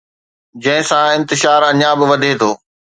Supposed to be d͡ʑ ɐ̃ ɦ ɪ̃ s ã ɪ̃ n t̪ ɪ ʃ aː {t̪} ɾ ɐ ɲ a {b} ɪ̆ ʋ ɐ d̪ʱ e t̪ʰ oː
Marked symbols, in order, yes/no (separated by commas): no, yes